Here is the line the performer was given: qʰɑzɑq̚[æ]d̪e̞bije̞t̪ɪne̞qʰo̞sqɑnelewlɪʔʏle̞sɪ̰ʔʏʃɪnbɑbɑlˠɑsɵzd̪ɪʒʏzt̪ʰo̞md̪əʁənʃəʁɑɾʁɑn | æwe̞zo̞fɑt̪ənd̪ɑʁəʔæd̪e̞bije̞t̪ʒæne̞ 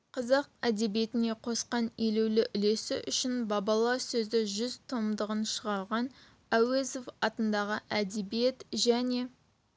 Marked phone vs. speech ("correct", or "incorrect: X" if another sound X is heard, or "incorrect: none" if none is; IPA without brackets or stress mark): correct